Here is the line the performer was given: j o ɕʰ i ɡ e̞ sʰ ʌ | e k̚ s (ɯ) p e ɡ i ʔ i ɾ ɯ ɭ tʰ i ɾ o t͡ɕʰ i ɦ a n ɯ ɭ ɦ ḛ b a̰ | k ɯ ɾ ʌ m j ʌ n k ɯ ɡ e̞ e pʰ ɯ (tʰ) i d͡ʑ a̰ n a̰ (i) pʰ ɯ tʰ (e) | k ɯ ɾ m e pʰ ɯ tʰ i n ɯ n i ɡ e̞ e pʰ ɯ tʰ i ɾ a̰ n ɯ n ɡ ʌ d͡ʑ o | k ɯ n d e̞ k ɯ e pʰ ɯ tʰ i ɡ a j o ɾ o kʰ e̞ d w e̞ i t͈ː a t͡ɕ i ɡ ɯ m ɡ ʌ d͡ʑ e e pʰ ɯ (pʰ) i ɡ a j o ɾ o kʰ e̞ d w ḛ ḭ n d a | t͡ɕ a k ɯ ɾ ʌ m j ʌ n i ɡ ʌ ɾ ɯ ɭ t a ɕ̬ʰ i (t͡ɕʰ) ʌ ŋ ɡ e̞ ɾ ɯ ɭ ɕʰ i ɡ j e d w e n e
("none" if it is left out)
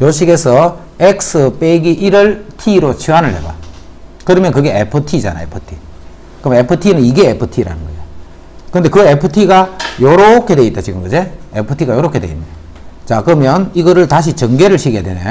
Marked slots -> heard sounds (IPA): ɯ, tʰ, e, i, tʰ, t͡ɕ

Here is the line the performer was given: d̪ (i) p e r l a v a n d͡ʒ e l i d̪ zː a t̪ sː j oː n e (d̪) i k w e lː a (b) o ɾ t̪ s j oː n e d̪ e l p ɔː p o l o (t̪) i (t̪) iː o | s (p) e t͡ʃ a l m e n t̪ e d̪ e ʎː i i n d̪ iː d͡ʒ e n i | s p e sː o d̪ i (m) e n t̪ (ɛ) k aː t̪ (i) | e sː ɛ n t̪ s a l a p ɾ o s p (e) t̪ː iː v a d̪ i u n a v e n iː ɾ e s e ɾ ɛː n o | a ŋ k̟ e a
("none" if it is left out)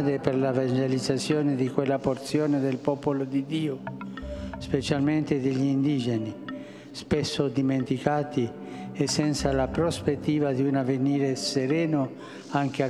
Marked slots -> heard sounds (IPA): e, d̪, p, d̪, d̪, p, m, i, i, e

